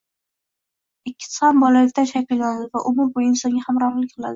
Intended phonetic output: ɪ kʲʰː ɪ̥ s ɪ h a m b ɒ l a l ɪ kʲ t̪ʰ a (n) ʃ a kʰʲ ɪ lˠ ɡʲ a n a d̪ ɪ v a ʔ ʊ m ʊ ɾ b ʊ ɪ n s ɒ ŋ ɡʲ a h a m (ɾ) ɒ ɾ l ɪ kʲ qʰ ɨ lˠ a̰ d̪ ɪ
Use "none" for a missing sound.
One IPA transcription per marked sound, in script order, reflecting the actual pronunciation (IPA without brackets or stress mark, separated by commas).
n, ɾ